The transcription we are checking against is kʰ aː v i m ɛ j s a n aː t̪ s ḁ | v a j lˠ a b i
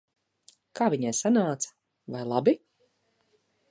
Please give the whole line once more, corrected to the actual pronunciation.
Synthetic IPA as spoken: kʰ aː v i ɲ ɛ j s a n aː t̪ s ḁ | v a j lˠ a b i